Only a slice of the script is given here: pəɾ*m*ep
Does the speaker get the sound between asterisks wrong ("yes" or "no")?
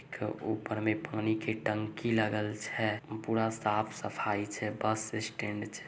no